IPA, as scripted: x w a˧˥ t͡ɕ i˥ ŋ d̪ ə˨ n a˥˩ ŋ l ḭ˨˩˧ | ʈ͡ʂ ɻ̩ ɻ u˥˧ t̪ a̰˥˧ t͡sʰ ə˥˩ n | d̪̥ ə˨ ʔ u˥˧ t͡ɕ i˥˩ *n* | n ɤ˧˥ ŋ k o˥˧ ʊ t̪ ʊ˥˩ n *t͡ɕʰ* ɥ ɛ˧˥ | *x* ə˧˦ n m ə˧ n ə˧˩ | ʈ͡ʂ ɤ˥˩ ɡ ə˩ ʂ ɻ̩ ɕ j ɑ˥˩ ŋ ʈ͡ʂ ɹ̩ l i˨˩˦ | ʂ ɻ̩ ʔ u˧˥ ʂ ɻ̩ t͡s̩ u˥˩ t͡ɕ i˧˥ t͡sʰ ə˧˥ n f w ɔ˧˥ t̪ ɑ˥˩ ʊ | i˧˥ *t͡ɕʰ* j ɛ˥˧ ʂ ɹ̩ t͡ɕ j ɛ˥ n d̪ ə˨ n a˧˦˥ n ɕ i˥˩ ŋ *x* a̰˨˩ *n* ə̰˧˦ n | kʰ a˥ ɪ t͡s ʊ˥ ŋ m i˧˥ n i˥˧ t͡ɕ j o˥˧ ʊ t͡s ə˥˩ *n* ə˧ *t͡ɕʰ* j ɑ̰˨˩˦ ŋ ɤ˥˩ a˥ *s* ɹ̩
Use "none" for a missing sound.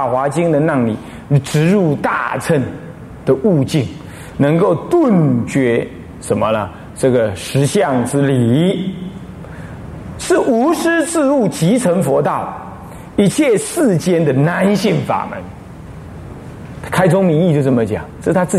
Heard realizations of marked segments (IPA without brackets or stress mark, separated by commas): ŋ, t͡ɕ, ʂ, t͡ɕʰ, f, m, m, t͡ɕ, t͡s